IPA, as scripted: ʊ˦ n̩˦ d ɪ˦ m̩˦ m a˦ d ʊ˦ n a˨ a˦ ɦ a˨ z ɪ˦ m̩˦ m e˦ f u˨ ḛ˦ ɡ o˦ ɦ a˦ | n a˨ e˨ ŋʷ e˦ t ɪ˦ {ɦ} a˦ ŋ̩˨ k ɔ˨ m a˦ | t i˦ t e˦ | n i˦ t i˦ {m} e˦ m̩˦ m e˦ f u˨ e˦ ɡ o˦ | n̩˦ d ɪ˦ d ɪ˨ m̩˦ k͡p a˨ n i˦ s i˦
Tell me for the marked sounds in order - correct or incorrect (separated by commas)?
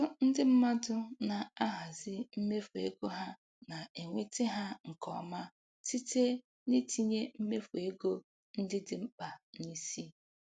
correct, incorrect